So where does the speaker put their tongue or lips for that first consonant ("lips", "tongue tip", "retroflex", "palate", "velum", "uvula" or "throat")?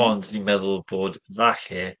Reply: tongue tip